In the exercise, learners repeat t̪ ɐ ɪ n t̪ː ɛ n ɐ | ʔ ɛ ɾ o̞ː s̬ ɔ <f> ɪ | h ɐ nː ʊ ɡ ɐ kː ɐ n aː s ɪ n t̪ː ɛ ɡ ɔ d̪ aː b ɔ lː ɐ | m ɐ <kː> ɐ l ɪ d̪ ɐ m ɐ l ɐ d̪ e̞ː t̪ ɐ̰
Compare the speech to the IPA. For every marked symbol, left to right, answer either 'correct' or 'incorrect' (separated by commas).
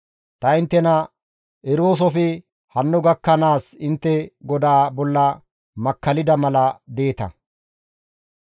correct, correct